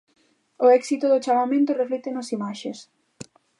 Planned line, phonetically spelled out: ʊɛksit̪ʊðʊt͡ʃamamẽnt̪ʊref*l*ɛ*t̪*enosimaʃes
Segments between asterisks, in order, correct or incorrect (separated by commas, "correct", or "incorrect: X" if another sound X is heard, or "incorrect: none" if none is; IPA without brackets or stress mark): correct, correct